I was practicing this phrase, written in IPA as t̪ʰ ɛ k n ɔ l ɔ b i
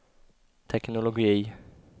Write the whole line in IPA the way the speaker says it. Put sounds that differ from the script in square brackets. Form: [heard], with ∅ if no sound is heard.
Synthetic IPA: t̪ʰ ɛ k n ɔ l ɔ [ɡ] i